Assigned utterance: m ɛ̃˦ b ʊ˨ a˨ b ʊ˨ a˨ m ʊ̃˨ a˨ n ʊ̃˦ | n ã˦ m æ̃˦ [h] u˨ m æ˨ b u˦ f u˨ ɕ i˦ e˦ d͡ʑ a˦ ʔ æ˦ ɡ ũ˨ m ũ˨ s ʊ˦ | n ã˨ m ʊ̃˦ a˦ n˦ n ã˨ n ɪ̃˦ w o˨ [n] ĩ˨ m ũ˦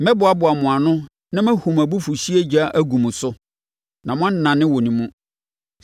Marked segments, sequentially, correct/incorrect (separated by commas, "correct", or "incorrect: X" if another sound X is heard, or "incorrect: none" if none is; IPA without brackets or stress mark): correct, correct